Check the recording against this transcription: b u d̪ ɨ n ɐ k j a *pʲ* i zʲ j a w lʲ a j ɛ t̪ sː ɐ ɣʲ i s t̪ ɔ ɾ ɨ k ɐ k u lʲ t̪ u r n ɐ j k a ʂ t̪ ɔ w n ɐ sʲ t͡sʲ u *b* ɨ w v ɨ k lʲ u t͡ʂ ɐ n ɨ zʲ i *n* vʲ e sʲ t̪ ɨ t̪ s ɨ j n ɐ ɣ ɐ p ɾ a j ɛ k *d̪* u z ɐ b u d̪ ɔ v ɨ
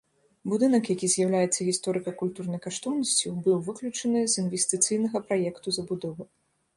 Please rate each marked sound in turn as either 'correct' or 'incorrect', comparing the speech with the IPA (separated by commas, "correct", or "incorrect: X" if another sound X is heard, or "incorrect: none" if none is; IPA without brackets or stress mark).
incorrect: kʲ, correct, correct, incorrect: t̪